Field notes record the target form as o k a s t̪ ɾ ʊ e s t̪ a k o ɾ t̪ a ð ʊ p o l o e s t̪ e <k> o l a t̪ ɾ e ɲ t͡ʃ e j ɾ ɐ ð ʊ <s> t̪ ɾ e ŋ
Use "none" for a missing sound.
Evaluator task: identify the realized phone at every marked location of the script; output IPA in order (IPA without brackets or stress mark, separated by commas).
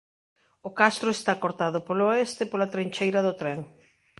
p, none